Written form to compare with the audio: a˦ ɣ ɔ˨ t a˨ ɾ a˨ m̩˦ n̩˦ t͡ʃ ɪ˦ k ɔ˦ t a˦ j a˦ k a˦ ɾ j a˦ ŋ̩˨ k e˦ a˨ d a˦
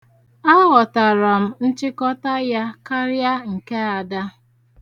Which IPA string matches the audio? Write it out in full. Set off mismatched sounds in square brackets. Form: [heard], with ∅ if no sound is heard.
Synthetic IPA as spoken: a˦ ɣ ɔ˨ t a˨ ɾ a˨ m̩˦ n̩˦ t͡ʃ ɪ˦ k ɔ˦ t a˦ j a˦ k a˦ ɾ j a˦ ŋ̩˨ k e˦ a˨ d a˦